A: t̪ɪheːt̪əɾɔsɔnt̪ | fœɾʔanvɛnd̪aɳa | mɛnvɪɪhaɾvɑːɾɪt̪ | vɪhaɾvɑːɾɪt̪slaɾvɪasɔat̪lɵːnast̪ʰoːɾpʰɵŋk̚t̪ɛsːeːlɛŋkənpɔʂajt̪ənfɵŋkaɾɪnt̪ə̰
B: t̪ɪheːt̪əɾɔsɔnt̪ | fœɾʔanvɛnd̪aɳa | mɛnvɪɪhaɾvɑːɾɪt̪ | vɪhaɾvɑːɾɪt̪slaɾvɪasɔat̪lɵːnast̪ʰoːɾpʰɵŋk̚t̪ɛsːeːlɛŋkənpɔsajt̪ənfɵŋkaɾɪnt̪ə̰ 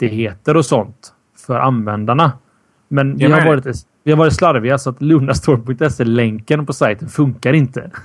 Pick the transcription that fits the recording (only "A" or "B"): B